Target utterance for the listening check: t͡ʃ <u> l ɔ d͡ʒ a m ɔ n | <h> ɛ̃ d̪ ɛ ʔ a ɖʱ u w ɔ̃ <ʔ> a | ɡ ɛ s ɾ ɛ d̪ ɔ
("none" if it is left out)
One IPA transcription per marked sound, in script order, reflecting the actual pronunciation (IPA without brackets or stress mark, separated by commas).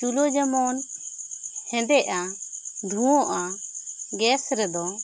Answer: u, h, ʔ